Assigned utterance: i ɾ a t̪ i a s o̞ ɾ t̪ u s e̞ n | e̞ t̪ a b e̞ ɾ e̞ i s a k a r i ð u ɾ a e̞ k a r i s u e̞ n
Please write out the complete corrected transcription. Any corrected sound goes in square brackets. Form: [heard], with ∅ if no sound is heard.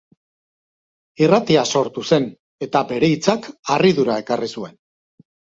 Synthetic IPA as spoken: i [r] a t̪ i a s o̞ ɾ t̪ u s e̞ n | e̞ t̪ a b e̞ ɾ e̞ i [t͡s] a k a r i ð u ɾ a e̞ k a r i s u e̞ n